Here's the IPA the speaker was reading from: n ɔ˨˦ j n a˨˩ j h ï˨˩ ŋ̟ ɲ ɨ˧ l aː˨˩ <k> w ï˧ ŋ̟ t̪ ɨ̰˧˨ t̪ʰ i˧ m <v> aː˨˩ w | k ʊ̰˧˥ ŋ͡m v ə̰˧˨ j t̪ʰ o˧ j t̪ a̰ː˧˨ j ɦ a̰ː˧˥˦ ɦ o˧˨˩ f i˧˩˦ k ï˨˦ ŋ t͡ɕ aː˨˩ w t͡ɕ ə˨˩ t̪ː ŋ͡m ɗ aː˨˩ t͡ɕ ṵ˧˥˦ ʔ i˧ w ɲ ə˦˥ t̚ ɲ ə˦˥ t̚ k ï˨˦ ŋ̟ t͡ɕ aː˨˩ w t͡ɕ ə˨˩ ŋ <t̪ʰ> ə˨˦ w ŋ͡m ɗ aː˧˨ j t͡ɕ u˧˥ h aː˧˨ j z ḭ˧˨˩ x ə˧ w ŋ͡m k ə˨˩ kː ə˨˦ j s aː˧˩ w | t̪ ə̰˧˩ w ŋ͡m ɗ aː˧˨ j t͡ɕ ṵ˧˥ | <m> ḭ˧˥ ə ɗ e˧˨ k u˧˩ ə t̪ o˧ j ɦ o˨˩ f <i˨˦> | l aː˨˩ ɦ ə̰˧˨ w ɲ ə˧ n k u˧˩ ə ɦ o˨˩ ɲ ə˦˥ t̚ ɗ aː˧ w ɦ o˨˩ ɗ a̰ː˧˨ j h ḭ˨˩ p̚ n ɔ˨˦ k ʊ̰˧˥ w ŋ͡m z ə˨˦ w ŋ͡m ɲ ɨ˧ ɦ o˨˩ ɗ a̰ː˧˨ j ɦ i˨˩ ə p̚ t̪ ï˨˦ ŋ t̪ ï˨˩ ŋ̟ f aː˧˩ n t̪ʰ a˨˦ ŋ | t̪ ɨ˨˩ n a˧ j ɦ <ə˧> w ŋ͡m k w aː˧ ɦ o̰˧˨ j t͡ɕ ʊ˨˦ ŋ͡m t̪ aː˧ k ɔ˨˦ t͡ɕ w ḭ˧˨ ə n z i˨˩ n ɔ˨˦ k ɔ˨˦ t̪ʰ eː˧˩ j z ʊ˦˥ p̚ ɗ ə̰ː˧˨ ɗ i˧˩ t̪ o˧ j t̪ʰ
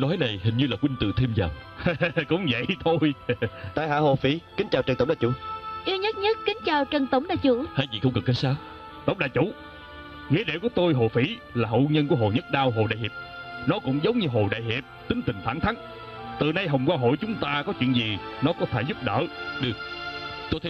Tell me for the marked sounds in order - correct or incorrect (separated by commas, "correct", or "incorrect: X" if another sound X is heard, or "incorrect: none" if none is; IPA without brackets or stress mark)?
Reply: correct, incorrect: z, incorrect: t̪, incorrect: ŋ, incorrect: i˧˩, incorrect: ə˨˩